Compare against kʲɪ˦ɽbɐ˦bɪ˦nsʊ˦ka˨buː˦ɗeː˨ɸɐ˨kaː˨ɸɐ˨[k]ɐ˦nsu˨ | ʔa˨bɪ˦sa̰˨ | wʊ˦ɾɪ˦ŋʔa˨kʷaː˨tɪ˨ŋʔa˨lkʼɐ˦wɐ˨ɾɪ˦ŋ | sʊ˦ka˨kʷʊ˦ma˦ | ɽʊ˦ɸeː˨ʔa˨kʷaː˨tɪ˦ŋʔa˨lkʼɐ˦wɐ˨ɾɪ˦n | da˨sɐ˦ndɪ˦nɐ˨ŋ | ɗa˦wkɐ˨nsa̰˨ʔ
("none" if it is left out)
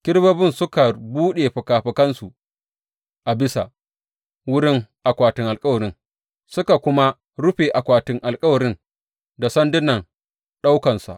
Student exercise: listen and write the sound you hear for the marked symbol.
k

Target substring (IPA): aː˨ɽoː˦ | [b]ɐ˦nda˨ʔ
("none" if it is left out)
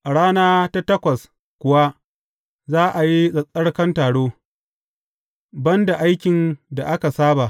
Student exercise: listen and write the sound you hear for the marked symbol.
b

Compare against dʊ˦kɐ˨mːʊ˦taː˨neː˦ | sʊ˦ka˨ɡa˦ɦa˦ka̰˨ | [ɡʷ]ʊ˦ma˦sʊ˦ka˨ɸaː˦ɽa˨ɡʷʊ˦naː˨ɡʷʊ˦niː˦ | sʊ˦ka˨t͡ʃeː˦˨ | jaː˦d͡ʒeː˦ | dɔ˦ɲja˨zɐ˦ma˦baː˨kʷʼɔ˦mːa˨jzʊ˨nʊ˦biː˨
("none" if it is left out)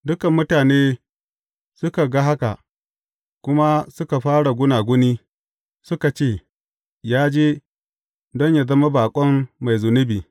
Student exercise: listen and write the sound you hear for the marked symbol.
kʷ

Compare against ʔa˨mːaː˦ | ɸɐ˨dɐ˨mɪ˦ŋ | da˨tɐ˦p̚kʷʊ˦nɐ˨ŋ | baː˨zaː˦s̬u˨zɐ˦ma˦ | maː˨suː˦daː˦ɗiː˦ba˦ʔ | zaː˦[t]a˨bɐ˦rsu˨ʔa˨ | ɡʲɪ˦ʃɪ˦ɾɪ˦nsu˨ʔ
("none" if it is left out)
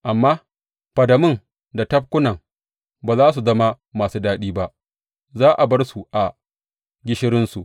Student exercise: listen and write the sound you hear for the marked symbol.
ʔ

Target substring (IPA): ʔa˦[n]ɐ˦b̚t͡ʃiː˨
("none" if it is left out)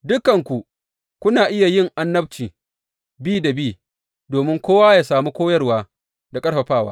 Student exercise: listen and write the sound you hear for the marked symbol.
nː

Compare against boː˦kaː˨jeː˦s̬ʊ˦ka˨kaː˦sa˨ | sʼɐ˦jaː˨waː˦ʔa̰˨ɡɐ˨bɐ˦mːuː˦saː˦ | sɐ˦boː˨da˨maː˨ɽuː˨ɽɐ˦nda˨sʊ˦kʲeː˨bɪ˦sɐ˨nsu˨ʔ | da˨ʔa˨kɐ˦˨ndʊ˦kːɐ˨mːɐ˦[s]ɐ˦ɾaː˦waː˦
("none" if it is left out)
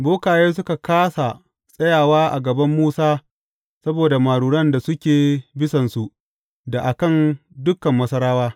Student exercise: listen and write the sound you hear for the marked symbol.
s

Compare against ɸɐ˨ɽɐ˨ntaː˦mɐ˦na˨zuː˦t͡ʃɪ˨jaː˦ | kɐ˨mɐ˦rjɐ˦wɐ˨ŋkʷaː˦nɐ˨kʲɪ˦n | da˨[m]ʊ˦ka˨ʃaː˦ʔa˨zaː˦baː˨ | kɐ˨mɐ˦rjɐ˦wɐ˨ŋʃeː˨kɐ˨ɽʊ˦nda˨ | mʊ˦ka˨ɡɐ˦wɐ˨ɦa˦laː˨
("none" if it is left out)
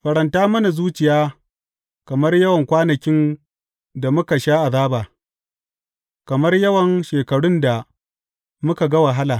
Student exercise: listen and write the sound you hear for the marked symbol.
m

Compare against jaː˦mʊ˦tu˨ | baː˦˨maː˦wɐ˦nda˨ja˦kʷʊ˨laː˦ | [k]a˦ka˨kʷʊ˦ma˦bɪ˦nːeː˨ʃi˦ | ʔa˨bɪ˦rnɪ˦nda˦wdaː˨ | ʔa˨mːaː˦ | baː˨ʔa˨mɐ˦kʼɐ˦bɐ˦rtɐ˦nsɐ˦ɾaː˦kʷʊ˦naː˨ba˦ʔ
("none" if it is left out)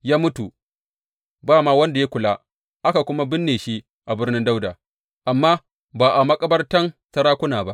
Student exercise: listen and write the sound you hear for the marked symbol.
ʔ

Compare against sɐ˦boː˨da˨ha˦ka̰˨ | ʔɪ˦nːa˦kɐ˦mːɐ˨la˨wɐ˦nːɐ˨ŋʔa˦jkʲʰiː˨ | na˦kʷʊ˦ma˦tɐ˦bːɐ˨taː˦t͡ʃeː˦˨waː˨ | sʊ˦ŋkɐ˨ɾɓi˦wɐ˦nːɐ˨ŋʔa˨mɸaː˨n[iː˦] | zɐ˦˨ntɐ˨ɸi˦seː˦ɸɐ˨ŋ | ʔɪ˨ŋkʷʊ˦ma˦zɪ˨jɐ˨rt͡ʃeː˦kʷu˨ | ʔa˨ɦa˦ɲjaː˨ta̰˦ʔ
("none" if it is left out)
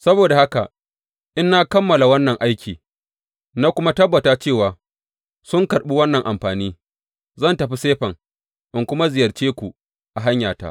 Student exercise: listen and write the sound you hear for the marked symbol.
iː˦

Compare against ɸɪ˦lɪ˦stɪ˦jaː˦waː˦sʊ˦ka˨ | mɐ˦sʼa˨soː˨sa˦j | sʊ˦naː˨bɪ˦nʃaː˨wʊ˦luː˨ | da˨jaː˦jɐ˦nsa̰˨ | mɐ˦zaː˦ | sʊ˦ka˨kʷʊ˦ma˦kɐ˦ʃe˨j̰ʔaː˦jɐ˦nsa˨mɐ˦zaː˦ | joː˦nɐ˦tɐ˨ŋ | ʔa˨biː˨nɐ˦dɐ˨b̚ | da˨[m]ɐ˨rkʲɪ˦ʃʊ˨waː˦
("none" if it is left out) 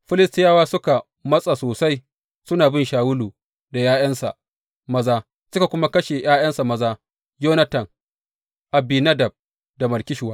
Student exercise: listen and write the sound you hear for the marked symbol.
m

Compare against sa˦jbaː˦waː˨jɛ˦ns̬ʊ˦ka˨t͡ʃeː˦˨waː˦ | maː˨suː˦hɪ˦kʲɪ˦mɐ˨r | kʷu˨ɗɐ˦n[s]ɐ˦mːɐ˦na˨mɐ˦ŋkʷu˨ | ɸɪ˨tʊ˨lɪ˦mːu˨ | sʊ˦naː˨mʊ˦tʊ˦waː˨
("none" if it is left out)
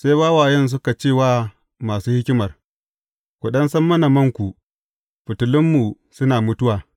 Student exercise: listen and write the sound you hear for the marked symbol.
s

